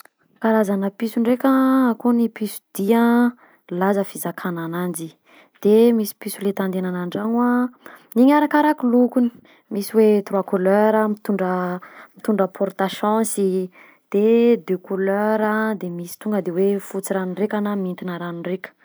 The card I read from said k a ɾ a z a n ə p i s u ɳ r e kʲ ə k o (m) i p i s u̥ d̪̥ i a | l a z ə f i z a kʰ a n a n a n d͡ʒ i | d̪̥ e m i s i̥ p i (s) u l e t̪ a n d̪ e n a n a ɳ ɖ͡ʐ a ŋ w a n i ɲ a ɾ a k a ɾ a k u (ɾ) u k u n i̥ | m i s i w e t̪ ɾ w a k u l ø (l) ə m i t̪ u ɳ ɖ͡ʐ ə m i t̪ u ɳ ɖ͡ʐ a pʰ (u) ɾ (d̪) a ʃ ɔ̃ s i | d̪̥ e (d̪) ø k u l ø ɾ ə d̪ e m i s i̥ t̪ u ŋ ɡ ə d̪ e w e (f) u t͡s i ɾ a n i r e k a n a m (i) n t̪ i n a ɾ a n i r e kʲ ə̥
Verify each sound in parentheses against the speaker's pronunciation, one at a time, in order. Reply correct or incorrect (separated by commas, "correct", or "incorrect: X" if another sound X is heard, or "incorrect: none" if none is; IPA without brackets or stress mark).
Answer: incorrect: n, correct, incorrect: l, incorrect: ɾ, incorrect: ɔ, incorrect: t̪, correct, correct, correct